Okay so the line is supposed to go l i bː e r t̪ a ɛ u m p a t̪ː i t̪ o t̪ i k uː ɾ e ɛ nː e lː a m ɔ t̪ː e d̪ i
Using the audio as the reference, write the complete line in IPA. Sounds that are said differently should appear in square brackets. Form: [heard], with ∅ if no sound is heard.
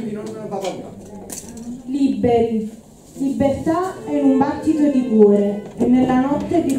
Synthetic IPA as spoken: l i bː e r t̪ a ɛ u m [b] a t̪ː i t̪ o [d̪] i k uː ɾ e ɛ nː e lː a [n] ɔ t̪ː e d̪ i